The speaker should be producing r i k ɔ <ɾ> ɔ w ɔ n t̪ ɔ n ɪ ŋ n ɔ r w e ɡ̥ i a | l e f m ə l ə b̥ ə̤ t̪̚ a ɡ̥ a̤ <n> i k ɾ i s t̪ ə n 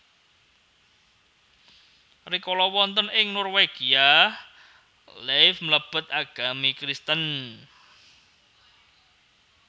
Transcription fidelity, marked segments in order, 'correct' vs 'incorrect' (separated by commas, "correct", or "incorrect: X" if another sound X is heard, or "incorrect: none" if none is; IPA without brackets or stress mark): incorrect: l, incorrect: m